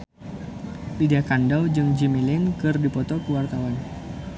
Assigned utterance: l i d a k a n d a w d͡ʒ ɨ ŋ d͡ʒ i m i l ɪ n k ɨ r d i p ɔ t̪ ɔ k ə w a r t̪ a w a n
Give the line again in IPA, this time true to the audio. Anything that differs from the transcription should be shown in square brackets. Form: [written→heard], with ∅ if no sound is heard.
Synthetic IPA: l i d a k a n d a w d͡ʒ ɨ ŋ d͡ʒ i m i l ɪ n k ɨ r d i p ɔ t̪ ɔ k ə w a r t̪ a w a n